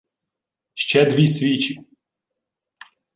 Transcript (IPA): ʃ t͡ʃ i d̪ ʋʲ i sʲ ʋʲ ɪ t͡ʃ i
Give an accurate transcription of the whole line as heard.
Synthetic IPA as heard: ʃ t͡ʃ ɛ d̪ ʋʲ i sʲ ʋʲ i t͡ʃ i